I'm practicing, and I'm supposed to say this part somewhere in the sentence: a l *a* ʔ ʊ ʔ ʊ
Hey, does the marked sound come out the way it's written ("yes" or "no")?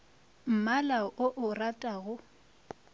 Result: yes